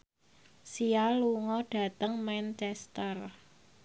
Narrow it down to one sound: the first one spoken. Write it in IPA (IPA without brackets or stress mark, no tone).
s